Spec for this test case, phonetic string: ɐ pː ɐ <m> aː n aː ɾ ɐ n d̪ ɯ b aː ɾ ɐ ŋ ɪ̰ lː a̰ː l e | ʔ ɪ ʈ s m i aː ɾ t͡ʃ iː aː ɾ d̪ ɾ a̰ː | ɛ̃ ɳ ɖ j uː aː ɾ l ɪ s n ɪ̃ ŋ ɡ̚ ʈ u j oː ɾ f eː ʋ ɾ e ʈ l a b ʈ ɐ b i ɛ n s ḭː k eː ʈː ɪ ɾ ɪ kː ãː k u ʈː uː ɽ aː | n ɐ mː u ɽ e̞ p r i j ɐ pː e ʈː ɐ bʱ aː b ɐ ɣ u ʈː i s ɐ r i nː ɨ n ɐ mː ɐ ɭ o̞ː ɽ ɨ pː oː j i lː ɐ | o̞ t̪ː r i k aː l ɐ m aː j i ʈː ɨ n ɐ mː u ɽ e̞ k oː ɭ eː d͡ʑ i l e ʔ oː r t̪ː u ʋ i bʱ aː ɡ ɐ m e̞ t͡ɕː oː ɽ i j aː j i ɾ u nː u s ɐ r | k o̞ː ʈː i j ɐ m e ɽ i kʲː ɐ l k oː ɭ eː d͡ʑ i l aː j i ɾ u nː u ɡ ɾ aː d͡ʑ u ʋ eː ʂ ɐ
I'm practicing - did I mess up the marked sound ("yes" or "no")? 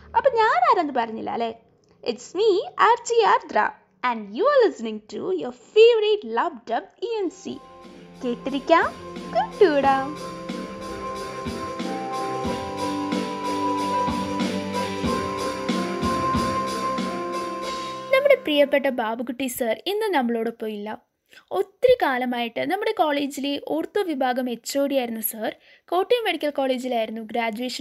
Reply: yes